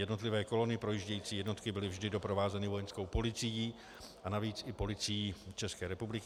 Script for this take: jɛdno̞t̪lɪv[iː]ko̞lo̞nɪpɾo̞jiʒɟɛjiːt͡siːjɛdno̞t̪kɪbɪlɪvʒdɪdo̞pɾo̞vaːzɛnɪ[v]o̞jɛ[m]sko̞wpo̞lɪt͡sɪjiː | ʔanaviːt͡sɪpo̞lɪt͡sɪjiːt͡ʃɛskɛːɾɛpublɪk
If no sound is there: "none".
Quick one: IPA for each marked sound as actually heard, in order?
ɛː, v, n

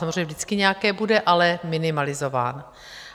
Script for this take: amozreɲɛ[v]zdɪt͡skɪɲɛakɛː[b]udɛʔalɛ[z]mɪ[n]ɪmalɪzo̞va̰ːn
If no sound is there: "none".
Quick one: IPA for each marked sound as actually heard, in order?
v, b, none, n

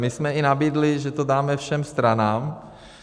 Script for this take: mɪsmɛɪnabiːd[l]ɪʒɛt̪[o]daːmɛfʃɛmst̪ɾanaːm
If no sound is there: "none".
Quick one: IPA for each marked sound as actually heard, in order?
l, o

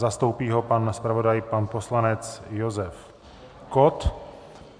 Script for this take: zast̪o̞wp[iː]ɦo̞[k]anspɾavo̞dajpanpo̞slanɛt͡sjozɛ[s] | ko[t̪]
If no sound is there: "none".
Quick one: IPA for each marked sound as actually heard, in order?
iː, p, f, t̪

